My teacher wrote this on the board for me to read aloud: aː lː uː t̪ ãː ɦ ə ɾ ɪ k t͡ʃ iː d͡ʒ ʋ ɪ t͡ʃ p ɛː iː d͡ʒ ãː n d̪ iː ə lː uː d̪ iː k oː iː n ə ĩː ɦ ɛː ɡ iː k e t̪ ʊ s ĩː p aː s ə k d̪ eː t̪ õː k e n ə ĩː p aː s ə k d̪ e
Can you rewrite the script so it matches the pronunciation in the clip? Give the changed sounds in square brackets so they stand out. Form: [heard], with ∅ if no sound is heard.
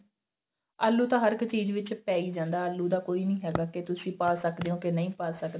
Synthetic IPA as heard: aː lː uː t̪ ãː ɦ ə ɾ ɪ k t͡ʃ iː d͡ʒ ʋ ɪ t͡ʃ p ɛː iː d͡ʒ ãː n d̪ [aː] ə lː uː d̪ [aː] k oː iː n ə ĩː ɦ ɛː ɡ [aː] k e t̪ ʊ s ĩː p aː s ə k d̪ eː [∅] õː k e n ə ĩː p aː s ə k d̪ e